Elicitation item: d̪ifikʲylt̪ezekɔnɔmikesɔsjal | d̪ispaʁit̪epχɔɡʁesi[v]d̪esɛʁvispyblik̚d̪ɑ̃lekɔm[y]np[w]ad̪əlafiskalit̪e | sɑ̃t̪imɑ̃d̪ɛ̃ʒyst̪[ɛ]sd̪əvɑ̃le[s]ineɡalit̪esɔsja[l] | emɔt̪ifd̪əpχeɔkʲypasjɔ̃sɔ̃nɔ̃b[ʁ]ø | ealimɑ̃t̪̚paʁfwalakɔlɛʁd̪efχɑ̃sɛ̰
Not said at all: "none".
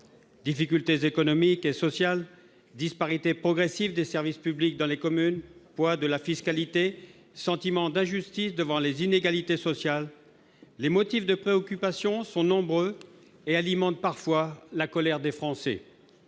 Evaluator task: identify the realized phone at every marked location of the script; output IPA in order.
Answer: v, y, w, i, z, lː, ʁ

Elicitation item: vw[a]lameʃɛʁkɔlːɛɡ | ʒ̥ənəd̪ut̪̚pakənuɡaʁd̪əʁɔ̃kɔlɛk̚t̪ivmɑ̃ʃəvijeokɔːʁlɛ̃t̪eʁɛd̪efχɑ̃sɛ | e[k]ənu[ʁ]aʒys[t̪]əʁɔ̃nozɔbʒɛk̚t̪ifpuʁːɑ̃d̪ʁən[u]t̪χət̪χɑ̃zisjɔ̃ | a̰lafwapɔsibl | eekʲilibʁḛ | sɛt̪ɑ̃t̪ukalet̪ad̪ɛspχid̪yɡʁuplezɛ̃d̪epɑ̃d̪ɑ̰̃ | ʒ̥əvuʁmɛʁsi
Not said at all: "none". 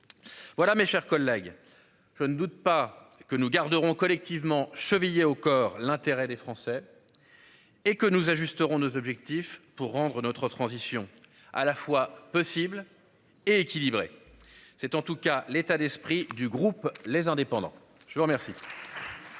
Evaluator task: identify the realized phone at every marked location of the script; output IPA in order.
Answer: a, k, z, t̪, ɔ

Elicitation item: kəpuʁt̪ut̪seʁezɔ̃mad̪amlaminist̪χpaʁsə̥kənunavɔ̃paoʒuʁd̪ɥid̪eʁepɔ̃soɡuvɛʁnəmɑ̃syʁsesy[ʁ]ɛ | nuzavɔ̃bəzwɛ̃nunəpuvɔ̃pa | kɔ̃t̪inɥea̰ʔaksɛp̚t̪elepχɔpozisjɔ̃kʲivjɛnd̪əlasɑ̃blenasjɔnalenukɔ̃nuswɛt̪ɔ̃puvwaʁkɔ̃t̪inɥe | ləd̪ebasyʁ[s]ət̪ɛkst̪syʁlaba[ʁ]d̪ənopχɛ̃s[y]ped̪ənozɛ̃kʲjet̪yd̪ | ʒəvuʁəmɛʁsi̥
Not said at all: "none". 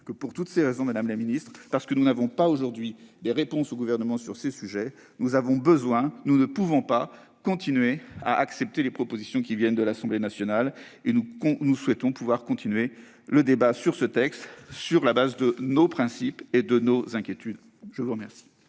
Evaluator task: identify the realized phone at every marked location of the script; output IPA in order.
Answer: ʒ, s, z, i

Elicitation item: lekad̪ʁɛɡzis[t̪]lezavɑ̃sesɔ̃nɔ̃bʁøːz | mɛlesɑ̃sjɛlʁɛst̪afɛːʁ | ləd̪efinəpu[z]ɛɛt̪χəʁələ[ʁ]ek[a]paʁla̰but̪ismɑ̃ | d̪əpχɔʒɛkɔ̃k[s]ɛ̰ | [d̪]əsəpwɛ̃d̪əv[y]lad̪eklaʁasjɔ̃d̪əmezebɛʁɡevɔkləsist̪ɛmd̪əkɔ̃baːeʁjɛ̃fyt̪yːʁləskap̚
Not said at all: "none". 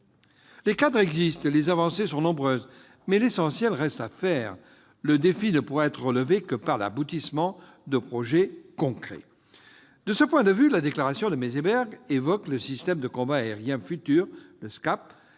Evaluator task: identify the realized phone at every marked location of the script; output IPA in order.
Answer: t̪, ʁ, v, ə, χ, d̪, y

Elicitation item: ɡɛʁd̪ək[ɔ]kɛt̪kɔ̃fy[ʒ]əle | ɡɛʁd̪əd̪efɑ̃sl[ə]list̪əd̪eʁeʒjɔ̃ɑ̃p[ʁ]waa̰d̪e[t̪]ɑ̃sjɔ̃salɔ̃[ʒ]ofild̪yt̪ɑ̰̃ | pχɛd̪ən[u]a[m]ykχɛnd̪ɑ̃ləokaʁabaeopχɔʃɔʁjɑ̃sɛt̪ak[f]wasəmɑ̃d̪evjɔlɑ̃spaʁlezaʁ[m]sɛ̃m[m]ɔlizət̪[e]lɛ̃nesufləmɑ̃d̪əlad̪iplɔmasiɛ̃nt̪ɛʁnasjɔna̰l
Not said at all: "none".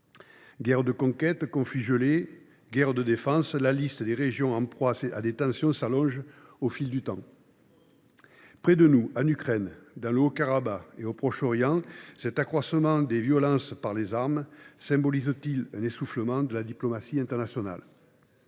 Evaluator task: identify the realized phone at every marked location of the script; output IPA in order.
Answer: ɔ̃, ʒ, a, χ, t̪, ʒ, u, n, χ, m, b, i

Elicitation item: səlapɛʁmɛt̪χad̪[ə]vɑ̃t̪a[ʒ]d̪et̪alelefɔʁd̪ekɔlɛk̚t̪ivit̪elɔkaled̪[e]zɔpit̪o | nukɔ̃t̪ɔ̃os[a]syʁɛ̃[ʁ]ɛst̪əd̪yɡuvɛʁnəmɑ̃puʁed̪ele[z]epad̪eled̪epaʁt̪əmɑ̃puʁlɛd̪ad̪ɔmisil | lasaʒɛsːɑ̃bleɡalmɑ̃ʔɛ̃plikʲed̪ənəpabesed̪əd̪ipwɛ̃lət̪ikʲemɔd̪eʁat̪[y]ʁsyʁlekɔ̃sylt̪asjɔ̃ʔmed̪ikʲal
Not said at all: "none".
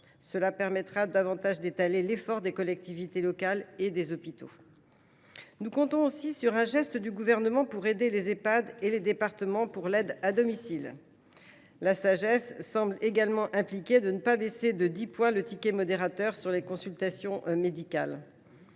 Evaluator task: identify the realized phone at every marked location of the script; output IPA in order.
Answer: a, ʒ, e, i, ʒ, z, œ

